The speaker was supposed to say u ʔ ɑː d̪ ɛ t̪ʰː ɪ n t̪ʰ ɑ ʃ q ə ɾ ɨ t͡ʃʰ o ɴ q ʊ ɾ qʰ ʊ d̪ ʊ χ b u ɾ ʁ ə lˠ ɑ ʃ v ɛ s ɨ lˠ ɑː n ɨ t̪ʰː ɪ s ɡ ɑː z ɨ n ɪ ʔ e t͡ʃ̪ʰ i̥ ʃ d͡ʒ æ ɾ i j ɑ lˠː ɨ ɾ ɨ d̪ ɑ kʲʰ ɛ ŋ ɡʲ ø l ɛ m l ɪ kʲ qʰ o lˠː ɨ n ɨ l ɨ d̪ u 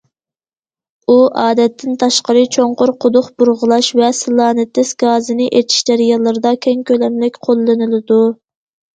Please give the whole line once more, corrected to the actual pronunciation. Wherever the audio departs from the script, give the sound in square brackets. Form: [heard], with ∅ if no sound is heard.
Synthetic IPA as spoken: u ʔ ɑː d̪ ɛ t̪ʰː ɪ n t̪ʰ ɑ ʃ q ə ɾ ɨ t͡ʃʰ o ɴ q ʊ ɾ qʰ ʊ d̪ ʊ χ b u ɾ ʁ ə lˠ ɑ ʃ v ɛ s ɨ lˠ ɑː n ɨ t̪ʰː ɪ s ɡ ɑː z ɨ n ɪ ʔ e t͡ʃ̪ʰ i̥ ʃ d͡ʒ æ ɾ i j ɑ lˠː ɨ ɾ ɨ d̪ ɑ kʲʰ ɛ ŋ [kʲ] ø l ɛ m l ɪ kʲ qʰ o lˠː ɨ n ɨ l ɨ d̪ u